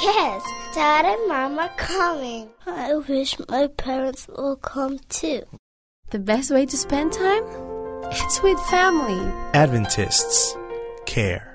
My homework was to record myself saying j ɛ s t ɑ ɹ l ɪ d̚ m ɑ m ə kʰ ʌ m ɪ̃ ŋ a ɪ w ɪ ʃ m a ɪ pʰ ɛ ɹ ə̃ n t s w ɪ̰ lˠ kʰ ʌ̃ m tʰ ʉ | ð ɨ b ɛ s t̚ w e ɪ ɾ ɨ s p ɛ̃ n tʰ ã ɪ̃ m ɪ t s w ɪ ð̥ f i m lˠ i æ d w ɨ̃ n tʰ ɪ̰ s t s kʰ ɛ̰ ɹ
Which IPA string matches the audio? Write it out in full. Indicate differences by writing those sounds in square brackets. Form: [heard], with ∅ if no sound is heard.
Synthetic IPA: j ɛ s t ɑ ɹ [ɾ] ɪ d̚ m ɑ m ə kʰ ʌ m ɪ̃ ŋ a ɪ w ɪ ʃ m a ɪ pʰ ɛ ɹ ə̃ n t s w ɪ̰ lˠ kʰ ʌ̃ m tʰ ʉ | ð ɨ b ɛ s t̚ w e ɪ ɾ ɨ s p ɛ̃ n tʰ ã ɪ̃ m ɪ t s w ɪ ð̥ f [æ] m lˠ i æ d [v] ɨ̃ n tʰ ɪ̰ s t s kʰ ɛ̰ ɹ